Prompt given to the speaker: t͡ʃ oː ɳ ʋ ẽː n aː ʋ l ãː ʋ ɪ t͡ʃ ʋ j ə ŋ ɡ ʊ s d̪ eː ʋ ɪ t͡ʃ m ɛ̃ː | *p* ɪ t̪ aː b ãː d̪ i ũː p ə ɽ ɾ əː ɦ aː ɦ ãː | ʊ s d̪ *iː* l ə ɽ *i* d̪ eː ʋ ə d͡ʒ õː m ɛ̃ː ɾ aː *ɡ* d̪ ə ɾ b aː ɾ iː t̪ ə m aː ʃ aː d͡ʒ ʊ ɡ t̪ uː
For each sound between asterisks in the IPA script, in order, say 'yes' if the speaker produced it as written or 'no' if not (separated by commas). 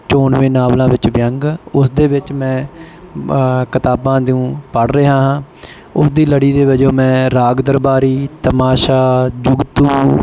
no, yes, no, yes